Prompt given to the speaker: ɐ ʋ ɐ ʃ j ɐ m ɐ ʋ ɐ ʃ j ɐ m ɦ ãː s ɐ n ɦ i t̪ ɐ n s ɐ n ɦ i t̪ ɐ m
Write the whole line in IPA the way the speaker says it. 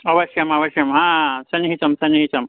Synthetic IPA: ɐ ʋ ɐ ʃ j ɐ m ɐ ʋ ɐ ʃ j ɐ m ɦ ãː s ɐ n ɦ i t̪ ɐ m s ɐ n ɦ i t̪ ɐ m